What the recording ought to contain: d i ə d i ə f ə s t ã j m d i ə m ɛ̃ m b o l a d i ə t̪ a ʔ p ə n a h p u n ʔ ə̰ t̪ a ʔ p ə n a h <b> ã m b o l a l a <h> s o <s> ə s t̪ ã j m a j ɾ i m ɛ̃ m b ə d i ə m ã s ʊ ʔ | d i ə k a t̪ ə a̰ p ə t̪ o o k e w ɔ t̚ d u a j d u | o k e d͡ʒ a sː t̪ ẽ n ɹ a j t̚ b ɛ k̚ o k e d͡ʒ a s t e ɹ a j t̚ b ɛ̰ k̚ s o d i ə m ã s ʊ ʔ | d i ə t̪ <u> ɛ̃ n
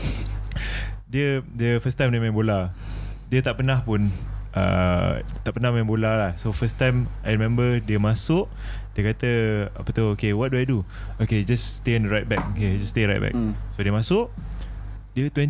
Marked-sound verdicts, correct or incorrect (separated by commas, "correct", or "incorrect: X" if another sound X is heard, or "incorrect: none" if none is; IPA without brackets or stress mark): incorrect: m, correct, incorrect: f, incorrect: w